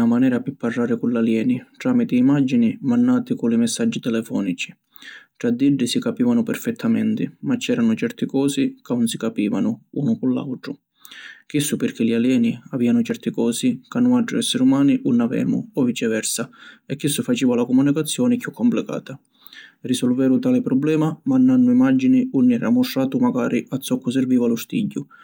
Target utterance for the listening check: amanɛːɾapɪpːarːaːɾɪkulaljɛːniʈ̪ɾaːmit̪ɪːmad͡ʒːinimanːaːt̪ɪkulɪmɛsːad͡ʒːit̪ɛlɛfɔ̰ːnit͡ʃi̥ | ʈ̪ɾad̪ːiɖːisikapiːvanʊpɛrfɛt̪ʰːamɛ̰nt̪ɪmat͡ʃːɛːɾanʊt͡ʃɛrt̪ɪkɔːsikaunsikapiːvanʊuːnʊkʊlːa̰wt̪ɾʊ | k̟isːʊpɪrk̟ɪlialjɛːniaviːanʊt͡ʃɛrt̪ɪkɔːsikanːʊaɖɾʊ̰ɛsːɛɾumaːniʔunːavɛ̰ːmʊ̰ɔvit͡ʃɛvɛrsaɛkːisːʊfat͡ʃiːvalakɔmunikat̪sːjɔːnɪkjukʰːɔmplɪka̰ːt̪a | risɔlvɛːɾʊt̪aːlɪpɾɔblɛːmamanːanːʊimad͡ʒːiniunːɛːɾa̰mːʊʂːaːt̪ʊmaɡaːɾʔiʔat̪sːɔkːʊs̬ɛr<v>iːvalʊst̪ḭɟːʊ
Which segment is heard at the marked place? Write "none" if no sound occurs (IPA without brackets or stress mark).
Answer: v